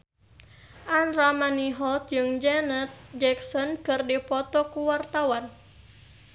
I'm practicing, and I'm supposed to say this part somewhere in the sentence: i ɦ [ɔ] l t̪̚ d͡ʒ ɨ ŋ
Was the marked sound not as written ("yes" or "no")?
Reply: no